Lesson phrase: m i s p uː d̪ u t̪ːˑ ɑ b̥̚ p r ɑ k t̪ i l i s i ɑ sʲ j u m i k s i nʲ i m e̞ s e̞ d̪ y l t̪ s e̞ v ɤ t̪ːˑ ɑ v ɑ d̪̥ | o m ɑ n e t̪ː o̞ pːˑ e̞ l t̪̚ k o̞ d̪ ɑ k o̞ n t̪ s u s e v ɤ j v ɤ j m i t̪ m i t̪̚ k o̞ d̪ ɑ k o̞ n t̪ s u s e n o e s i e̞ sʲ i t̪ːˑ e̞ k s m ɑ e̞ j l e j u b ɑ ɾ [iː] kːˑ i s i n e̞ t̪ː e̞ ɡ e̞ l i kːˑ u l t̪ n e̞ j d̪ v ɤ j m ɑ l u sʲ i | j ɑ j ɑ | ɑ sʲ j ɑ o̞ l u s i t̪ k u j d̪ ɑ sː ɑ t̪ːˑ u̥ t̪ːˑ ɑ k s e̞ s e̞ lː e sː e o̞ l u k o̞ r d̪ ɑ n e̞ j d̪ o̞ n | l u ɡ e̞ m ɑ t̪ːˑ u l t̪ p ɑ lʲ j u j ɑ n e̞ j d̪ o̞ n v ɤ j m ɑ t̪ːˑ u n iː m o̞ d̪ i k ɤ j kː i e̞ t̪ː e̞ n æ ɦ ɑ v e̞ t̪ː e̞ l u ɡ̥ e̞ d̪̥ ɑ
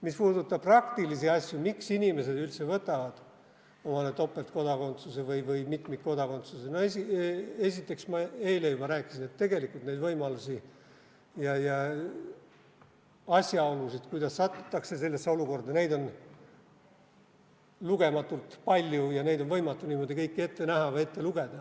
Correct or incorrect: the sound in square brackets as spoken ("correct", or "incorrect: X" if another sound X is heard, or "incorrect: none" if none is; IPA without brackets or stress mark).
incorrect: æː